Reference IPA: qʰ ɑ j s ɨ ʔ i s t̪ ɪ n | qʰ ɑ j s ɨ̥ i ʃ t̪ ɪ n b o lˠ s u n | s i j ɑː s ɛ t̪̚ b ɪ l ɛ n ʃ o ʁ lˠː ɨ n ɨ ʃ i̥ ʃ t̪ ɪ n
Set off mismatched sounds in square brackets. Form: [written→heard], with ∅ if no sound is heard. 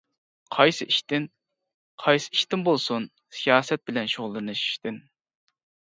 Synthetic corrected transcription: qʰ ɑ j s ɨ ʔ i [s→ʃ] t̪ ɪ n | qʰ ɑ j s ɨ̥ i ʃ t̪ ɪ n b o lˠ s u n | s i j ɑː s ɛ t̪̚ b ɪ l ɛ n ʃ o ʁ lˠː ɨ n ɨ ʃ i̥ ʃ t̪ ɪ n